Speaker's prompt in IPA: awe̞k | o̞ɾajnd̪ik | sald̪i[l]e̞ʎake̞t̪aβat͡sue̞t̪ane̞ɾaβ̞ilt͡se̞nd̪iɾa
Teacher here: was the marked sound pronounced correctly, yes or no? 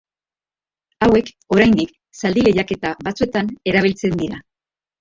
yes